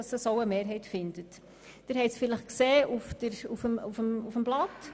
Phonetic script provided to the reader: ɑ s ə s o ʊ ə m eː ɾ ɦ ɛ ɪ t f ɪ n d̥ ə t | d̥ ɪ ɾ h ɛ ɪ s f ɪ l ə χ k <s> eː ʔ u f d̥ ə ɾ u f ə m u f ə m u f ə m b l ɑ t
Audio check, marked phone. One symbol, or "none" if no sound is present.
s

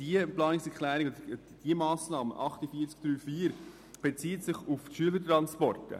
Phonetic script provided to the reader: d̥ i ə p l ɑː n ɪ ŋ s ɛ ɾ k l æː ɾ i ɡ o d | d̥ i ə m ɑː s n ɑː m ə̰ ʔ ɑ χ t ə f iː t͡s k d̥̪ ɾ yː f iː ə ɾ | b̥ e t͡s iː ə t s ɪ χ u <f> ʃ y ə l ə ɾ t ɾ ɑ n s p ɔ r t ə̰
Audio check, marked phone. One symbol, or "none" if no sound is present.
f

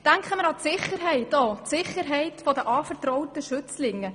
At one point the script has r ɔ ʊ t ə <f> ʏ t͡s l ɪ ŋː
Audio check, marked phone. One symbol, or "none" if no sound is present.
ʃ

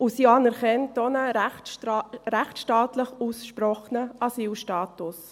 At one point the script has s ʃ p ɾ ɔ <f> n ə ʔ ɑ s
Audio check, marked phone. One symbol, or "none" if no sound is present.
χ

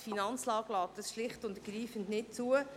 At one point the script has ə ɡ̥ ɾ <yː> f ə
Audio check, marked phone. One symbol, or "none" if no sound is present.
iː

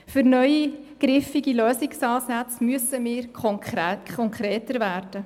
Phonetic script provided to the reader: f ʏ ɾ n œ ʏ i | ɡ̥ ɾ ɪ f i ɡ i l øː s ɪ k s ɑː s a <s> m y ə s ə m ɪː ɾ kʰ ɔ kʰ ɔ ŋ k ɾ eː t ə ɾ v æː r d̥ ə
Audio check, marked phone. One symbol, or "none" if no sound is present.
t͡s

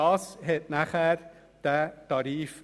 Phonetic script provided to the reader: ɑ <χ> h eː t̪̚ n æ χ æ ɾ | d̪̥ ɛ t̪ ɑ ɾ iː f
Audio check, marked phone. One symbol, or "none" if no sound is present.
s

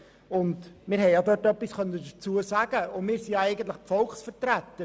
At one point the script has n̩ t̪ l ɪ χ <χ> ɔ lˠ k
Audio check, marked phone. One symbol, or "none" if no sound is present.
f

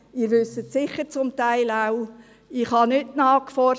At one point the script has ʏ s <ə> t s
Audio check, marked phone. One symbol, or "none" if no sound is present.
ə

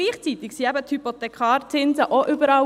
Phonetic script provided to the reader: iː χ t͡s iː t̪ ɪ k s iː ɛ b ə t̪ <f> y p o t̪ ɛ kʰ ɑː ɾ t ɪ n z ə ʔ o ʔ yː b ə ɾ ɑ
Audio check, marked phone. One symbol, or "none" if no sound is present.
h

